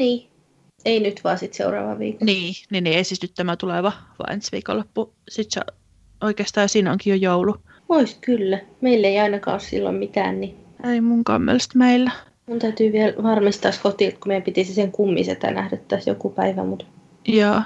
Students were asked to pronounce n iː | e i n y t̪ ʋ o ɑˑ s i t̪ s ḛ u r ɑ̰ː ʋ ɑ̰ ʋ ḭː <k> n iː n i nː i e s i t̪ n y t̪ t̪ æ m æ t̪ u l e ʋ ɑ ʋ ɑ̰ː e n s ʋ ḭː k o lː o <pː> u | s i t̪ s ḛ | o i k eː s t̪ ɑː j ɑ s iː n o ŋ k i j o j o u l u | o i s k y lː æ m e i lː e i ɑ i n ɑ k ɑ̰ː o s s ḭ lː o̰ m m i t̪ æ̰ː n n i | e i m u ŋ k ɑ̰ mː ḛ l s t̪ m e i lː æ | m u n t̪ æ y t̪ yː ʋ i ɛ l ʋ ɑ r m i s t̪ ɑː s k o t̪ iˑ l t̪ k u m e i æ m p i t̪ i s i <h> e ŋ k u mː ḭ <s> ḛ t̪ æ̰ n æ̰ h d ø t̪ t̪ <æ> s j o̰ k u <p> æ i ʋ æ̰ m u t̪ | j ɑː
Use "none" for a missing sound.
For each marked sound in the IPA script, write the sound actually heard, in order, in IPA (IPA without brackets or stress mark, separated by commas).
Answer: k, pː, s, s, æ, p